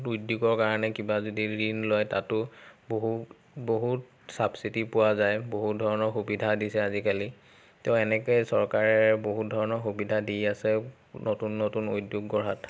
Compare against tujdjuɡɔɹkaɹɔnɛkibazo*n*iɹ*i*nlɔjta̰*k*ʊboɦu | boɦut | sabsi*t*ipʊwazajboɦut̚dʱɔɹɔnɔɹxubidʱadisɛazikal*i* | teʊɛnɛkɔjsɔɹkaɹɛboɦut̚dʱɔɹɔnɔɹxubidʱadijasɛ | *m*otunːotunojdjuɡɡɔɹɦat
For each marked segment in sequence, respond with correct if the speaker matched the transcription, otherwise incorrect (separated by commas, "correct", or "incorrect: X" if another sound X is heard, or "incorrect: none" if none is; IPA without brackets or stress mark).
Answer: incorrect: d, correct, incorrect: t, correct, correct, incorrect: n